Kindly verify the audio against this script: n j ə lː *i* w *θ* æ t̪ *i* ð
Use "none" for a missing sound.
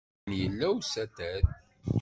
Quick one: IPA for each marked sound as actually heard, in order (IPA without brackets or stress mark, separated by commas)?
æ, s, æ